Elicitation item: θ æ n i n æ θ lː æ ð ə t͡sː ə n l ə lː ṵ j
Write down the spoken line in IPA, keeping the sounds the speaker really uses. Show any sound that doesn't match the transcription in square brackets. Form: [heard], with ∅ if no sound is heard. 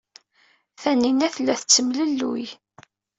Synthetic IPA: θ æ n i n æ θ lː æ [θ] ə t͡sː ə [m] l ə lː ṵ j